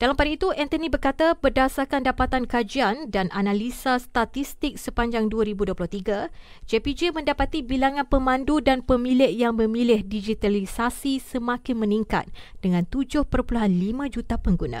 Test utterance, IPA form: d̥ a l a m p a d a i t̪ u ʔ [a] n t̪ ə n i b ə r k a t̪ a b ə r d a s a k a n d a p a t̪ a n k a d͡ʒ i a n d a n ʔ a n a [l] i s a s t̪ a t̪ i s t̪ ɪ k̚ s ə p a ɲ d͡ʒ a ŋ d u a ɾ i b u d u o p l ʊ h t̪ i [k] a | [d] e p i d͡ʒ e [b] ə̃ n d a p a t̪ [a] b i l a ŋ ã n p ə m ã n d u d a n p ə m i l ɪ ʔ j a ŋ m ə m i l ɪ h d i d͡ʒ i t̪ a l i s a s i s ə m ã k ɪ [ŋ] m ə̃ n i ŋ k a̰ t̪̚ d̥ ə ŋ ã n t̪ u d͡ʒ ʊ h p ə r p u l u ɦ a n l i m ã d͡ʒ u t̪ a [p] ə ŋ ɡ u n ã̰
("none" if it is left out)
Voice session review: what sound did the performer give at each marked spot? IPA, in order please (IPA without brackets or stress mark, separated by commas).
ɛ, l, ɡ, d͡ʒ, m, i, n, p